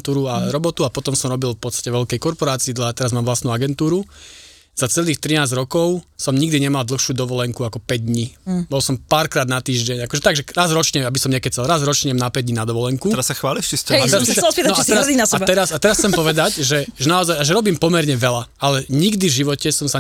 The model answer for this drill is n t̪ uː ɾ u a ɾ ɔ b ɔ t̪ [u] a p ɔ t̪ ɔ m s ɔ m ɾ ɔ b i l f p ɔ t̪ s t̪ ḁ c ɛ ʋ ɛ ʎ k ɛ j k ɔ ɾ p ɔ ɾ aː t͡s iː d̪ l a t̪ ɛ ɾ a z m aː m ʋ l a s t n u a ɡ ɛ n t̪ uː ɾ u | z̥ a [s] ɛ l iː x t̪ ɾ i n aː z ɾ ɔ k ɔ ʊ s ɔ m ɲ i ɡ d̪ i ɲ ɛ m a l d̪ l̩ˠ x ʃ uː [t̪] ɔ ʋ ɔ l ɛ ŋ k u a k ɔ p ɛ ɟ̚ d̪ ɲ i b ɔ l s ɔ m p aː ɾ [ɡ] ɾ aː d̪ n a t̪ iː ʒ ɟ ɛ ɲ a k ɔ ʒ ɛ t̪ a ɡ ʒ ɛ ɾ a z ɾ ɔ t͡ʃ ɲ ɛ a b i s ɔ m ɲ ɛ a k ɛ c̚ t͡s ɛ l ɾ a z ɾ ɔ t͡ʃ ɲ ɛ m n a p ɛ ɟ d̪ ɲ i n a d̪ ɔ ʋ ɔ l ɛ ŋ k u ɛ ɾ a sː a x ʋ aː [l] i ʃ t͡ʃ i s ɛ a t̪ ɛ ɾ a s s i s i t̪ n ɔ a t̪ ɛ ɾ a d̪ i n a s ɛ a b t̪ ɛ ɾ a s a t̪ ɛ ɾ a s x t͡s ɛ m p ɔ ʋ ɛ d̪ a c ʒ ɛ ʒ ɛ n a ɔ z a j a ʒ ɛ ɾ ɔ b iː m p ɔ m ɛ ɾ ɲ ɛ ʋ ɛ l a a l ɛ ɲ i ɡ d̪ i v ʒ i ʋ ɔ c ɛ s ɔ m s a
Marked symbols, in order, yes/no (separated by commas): yes, no, no, no, yes